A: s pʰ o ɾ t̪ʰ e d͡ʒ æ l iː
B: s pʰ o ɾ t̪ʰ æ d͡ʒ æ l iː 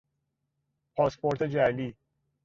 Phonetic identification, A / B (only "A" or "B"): A